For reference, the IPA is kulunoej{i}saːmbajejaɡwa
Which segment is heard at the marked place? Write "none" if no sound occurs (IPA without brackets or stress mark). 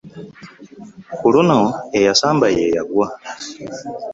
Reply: a